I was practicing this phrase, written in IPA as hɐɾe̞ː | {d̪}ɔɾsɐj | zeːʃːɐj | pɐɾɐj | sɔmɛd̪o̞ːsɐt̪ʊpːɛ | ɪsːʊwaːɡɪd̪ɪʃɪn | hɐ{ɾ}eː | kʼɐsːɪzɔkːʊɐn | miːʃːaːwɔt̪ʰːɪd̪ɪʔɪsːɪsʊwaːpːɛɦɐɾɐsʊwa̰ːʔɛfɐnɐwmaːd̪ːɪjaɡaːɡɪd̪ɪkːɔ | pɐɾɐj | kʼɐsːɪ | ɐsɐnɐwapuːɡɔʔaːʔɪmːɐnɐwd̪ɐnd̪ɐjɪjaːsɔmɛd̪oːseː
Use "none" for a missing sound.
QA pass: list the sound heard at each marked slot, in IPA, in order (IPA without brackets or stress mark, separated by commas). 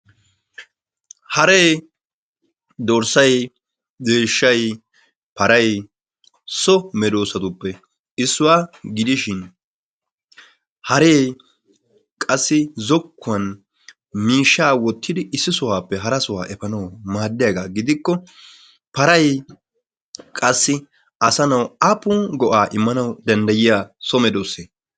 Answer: d̪, ɾ